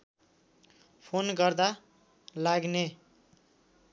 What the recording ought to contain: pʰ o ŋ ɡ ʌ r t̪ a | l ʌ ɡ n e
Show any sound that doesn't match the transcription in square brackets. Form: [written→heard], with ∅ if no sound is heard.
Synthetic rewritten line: pʰ o [ŋ→n] ɡ ʌ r [t̪→d̪] a | l [ʌ→a] ɡ n e